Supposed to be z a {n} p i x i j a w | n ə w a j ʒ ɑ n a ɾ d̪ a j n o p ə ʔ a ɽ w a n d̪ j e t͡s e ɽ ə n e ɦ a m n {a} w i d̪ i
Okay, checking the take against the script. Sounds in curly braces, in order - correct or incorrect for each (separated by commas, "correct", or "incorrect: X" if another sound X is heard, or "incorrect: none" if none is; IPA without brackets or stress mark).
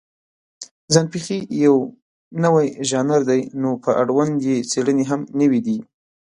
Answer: correct, incorrect: ə